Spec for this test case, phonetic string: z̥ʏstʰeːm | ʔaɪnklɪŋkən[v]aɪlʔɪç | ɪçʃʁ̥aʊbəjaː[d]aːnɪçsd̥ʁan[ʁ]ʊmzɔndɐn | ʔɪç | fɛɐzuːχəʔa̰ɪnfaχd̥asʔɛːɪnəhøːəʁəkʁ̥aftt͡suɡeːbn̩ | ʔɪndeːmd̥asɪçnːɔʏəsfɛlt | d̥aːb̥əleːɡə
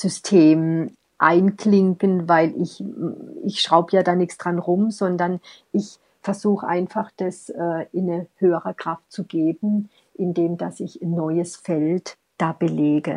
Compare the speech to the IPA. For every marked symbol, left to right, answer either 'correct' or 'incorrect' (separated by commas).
correct, correct, correct